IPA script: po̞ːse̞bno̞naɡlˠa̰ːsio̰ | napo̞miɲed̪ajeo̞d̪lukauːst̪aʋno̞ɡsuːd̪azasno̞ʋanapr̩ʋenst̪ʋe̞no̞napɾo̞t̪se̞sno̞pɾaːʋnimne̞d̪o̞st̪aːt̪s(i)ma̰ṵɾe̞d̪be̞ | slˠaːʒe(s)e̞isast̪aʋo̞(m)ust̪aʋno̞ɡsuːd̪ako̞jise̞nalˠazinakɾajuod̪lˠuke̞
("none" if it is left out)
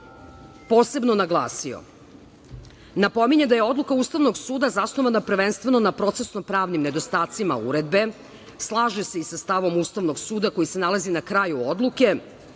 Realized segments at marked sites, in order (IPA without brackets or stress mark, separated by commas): i, s, m